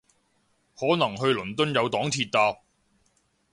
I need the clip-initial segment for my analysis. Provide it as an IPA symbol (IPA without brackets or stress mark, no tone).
h